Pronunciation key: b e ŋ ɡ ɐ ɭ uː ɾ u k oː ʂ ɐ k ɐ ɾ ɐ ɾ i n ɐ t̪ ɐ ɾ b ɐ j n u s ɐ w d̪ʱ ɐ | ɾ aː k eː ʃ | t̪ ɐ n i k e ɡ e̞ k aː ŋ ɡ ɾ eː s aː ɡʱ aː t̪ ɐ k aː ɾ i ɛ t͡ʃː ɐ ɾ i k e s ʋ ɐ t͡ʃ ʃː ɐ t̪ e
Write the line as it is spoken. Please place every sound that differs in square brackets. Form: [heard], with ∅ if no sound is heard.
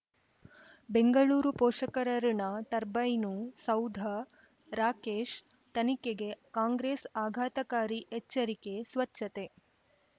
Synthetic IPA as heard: b e ŋ ɡ ɐ ɭ uː ɾ u [p] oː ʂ ɐ k ɐ ɾ ɐ ɾ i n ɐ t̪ ɐ ɾ b ɐ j n u s ɐ w d̪ʱ ɐ | ɾ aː k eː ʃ | t̪ ɐ n i k e ɡ e̞ k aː ŋ ɡ ɾ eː s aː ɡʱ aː t̪ ɐ k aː ɾ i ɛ t͡ʃː ɐ ɾ i k e s ʋ ɐ t͡ʃ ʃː ɐ t̪ e